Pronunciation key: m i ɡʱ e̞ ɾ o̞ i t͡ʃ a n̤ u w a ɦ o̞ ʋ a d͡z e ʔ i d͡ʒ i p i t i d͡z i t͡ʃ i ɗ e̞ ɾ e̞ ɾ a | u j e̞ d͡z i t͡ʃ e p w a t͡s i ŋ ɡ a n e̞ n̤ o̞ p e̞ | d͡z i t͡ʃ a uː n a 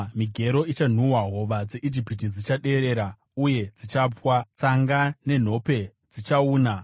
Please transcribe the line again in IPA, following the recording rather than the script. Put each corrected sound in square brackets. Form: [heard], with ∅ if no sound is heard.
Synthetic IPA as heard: m i ɡʱ e̞ ɾ o̞ i t͡ʃ a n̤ u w a ɦ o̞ ʋ a d͡z e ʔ i d͡ʒ i p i t i d͡z i t͡ʃ [a] ɗ e̞ ɾ e̞ ɾ a | u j e̞ d͡z i t͡ʃ [a] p w a t͡s [a] ŋ ɡ a n e̞ n̤ o̞ p e̞ | d͡z i t͡ʃ a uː n a